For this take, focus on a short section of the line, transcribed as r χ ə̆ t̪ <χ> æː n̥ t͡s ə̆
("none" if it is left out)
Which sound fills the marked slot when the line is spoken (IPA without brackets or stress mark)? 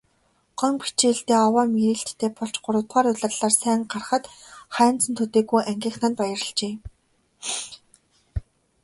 χ